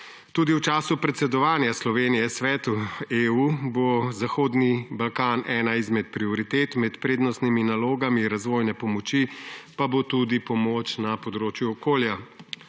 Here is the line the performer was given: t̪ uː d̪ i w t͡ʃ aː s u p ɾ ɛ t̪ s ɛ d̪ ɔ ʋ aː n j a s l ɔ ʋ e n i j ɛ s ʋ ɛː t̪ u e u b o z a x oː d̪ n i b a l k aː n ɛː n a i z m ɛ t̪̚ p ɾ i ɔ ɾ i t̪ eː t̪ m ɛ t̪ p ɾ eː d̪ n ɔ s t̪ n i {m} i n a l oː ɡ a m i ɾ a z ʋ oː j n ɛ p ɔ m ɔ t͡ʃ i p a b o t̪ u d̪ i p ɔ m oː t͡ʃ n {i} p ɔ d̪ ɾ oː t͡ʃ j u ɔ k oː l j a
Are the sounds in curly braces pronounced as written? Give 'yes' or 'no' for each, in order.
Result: yes, no

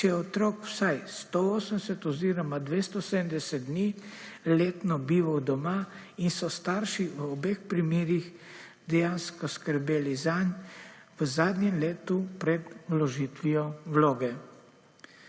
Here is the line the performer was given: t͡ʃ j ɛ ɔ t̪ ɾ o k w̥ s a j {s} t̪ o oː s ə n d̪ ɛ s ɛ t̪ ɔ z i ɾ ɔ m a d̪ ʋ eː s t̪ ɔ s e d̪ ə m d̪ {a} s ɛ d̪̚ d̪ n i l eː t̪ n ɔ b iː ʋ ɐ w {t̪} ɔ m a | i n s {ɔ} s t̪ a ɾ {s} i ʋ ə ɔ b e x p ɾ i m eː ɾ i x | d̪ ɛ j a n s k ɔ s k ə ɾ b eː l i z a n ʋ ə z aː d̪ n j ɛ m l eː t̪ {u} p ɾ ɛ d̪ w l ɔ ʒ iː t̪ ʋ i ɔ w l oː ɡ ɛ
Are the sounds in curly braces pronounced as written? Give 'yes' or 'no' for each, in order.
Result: yes, no, no, yes, no, yes

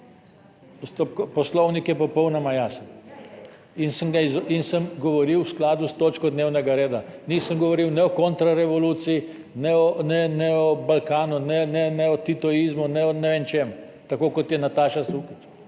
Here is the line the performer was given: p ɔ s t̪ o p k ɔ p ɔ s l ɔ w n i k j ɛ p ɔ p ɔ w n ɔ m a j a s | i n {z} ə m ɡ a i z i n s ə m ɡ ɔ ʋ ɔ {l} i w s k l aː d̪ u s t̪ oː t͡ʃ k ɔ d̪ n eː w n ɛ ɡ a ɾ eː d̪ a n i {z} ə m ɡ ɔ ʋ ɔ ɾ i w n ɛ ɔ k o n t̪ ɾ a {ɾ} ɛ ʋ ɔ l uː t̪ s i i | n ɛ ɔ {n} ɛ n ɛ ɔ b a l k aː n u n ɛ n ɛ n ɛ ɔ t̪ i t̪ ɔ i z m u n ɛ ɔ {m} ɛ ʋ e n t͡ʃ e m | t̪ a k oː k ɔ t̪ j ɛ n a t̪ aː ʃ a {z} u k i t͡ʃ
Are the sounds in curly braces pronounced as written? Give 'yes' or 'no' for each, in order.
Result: no, no, no, yes, yes, no, no

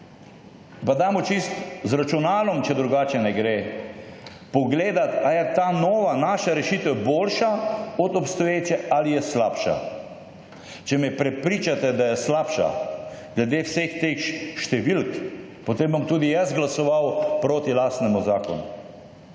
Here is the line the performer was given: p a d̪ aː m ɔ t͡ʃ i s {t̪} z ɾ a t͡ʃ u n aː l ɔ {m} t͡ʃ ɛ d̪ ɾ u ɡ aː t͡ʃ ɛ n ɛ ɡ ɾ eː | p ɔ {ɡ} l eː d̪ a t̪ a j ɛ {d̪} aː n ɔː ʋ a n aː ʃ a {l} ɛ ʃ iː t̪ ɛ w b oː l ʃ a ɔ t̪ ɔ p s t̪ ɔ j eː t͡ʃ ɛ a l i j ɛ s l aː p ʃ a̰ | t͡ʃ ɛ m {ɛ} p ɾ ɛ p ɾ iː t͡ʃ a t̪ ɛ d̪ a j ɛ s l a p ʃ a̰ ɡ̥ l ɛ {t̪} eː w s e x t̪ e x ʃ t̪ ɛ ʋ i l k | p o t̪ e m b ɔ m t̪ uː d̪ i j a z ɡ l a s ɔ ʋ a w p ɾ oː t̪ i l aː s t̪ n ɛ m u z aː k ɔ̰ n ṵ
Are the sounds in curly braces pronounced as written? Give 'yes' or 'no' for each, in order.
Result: yes, yes, yes, no, no, yes, no

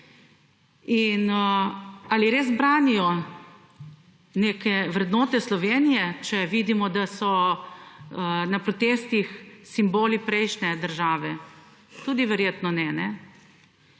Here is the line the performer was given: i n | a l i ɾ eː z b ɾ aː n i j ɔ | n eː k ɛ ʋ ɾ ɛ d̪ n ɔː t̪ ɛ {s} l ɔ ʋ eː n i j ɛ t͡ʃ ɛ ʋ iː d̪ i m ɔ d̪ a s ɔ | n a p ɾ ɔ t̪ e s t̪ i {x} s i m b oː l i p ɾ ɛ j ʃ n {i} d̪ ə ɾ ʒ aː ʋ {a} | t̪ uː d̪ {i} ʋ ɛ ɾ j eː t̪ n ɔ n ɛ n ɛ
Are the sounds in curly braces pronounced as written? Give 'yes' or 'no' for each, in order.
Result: yes, yes, no, no, yes

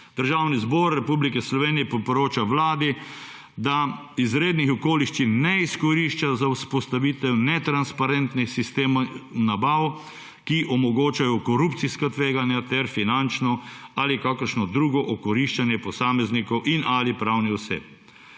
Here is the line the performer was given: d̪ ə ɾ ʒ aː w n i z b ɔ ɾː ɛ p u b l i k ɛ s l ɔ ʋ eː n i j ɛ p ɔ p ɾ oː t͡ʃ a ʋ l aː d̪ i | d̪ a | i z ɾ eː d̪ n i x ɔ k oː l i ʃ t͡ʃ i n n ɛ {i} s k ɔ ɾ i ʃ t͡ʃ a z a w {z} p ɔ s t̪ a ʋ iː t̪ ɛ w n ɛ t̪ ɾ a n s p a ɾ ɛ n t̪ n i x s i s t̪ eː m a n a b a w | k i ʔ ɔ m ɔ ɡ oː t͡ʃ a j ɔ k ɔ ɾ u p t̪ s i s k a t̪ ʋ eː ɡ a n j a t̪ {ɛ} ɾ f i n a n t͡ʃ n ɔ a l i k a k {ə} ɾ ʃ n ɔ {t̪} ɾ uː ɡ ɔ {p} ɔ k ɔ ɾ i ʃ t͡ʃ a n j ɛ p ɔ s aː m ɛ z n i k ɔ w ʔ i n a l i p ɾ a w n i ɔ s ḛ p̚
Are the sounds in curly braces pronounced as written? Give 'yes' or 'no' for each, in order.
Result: yes, no, yes, yes, no, no

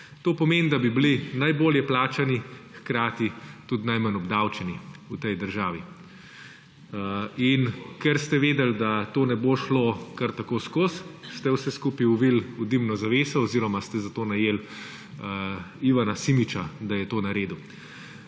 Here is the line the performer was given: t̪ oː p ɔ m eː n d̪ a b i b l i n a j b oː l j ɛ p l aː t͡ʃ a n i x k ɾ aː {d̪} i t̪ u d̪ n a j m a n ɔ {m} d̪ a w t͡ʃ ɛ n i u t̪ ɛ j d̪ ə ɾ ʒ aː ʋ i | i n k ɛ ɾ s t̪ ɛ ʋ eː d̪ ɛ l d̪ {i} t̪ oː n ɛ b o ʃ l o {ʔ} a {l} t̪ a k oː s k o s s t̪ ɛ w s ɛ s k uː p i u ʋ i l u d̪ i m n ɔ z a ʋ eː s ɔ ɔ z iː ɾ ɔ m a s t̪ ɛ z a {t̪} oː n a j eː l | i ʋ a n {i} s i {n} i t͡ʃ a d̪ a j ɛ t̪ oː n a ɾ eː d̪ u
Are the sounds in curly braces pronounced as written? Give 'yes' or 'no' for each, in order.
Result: no, no, no, no, no, yes, no, no

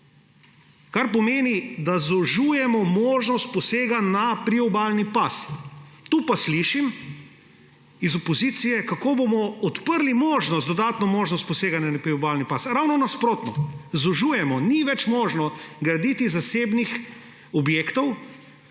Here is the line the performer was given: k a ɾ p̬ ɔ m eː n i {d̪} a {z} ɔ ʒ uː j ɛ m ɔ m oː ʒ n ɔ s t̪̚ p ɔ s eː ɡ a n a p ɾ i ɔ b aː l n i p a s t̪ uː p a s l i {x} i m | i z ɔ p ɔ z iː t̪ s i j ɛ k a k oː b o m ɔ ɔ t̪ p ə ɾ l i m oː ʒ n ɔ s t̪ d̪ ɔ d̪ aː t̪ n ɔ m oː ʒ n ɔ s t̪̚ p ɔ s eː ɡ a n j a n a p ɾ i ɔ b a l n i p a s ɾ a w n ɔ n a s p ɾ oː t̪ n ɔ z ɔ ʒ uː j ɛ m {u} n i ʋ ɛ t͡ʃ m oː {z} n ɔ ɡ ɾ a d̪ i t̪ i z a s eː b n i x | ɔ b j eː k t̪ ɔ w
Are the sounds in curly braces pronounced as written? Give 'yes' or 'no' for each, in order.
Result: yes, yes, no, no, no

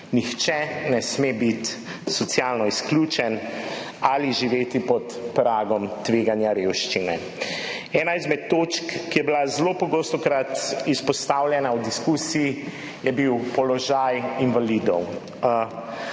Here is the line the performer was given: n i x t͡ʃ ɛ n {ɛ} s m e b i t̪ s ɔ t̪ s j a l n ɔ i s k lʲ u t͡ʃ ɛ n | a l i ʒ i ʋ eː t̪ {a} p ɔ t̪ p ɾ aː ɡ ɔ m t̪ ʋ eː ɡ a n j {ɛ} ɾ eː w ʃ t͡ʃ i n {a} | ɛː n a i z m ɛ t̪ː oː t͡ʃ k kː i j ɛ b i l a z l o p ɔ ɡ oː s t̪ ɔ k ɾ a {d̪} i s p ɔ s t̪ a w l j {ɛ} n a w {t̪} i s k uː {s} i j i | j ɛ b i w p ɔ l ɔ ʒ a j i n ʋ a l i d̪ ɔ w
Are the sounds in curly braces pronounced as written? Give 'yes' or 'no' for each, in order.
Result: yes, no, no, no, no, yes, no, yes

